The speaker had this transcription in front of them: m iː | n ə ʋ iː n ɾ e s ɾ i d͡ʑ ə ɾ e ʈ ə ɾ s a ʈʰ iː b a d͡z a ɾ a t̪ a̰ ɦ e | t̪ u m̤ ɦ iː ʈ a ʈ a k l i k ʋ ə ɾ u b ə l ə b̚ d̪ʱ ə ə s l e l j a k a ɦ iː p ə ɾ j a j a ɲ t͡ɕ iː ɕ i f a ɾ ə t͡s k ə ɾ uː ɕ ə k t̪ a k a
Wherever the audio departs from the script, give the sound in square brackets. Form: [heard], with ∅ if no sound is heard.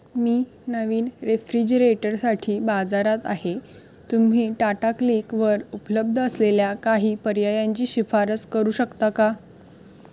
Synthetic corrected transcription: m iː | n ə ʋ iː n ɾ e [f] ɾ i d͡ʑ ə ɾ e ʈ ə ɾ s a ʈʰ iː b a d͡z a ɾ a t̪ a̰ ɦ e | t̪ u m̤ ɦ iː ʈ a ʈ a k l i k ʋ ə ɾ u [p] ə l ə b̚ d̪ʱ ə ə s l e l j a k a ɦ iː p ə ɾ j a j a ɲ t͡ɕ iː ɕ i f a ɾ ə t͡s k ə ɾ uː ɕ ə k t̪ a k a